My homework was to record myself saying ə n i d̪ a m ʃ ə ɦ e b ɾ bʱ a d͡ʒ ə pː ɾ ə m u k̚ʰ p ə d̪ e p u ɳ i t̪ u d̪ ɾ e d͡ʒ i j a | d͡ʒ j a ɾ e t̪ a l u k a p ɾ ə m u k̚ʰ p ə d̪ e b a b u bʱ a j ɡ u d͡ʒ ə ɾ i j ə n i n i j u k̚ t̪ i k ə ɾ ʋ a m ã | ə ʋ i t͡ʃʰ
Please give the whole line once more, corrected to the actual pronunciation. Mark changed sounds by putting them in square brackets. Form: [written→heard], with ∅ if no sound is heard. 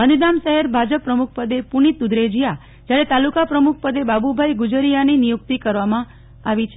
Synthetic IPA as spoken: ə n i d̪ a m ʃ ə ɦ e [b→∅] ɾ bʱ a d͡ʒ ə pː ɾ ə m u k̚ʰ p ə d̪ e p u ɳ i t̪ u d̪ ɾ e d͡ʒ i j a | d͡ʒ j a ɾ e t̪ a l u k a p ɾ ə m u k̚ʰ p ə d̪ e b a b u bʱ a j ɡ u d͡ʒ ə ɾ i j [ə→a] n i n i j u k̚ t̪ i k ə ɾ ʋ a m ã | [ə→a] ʋ i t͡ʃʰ